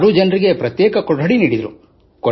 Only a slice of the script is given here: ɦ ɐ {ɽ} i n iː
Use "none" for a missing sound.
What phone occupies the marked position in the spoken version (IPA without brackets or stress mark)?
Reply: ɽ